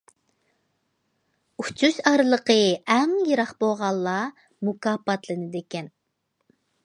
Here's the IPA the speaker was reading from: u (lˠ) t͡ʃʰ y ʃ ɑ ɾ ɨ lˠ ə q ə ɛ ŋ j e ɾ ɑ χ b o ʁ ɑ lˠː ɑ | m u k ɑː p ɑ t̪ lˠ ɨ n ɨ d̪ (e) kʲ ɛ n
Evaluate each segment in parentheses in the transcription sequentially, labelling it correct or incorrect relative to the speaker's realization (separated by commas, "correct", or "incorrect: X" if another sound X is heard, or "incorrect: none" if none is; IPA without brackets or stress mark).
incorrect: none, correct